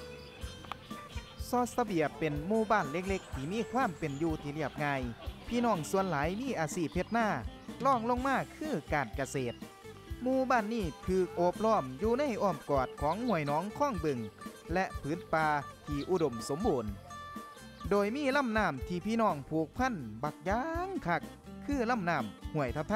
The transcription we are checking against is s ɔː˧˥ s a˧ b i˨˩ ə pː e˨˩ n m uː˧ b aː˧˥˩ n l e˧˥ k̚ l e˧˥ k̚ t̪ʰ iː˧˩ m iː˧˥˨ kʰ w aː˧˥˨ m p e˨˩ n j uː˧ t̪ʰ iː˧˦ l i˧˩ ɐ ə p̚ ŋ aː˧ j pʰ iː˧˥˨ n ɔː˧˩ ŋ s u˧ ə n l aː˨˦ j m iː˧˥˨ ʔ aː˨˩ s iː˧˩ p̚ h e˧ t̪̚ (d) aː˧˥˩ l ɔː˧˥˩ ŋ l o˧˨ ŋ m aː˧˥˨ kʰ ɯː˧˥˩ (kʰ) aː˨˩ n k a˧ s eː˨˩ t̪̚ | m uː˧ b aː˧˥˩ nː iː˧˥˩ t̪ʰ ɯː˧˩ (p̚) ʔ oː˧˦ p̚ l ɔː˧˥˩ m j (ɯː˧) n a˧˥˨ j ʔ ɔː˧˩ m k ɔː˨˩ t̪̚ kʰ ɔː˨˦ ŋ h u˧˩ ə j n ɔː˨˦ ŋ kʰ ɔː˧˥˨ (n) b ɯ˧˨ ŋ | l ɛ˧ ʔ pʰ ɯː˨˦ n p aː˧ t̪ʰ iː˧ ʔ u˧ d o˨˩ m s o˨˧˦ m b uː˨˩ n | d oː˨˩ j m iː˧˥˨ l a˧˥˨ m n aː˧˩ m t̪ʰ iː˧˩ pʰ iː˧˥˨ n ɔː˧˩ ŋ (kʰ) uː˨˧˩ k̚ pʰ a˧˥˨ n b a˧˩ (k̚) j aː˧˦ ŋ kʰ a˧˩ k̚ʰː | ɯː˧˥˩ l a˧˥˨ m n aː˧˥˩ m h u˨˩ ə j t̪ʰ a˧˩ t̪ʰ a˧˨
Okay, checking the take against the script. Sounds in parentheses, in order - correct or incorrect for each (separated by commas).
incorrect, incorrect, incorrect, incorrect, incorrect, incorrect, correct